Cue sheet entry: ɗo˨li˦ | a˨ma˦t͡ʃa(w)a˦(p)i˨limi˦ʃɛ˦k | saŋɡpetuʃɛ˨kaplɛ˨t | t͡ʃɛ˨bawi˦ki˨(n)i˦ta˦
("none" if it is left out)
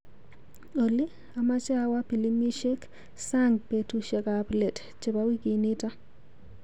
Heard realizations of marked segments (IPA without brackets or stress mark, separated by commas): w, p, n